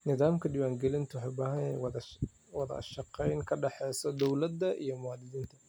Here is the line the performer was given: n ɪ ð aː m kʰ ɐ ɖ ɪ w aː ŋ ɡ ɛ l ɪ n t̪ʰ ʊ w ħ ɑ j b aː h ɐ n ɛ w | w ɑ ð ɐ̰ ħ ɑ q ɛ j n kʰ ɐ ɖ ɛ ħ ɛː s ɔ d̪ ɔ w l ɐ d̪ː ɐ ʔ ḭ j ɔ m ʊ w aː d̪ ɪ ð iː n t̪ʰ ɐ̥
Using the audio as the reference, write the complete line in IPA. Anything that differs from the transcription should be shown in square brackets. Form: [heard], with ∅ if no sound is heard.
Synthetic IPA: n ɪ ð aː m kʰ ɐ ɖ ɪ w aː ŋ ɡ ɛ l ɪ n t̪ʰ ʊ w ħ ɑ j b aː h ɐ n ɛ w | w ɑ ð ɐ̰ [ʃ] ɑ q ɛ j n kʰ ɐ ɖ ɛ ħ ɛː s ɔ d̪ ɔ w l ɐ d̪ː ɐ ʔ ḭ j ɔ m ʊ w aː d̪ ɪ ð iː n t̪ʰ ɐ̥